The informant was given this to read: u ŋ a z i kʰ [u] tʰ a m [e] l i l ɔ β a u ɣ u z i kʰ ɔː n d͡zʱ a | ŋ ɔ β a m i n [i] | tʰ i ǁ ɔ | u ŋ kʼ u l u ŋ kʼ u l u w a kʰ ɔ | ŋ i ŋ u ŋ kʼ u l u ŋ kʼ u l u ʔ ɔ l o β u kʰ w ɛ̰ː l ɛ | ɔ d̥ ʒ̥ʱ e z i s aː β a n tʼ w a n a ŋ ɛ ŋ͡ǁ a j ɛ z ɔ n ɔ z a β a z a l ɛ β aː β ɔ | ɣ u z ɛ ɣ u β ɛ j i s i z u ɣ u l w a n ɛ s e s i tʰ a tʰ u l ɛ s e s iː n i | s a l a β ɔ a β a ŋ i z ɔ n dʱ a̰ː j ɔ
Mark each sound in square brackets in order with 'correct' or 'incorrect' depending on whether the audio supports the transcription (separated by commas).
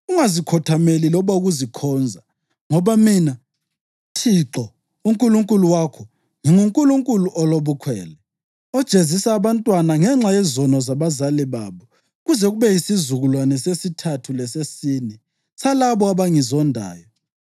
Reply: incorrect, correct, incorrect